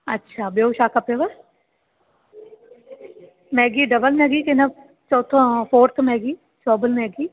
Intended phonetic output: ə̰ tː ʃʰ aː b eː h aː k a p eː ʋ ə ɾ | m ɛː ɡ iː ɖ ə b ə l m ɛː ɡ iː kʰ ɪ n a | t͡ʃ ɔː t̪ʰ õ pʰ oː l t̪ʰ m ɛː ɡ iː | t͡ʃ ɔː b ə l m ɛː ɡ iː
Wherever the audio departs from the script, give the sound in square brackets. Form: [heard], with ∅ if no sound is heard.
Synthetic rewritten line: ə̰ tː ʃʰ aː b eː [ʃ] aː k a p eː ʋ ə ɾ | m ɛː ɡ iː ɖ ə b ə l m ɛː ɡ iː [k] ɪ n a | t͡ʃ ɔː t̪ʰ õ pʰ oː [ɾ] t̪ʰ m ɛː ɡ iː | t͡ʃ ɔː b ə l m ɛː ɡ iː